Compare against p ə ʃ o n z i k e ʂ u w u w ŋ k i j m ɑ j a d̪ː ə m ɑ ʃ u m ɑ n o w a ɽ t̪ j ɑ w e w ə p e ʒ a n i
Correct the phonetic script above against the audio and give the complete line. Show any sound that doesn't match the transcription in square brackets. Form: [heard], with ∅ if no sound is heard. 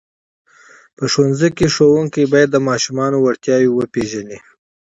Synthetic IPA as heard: p ə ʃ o n z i k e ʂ [o] w u [∅] ŋ k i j [b] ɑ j a d̪ː ə m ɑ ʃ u m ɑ n o w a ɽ t̪ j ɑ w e w ə p e ʒ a n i